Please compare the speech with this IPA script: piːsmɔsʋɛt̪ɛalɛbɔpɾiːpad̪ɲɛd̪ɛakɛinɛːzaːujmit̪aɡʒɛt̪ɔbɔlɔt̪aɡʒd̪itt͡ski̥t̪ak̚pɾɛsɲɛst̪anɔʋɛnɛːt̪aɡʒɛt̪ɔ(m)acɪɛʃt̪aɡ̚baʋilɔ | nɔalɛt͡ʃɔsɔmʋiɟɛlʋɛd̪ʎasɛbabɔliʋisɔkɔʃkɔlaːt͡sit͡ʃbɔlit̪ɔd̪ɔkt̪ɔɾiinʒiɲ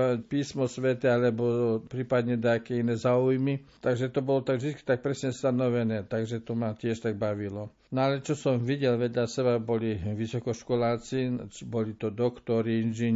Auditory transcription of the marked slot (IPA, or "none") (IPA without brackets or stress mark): m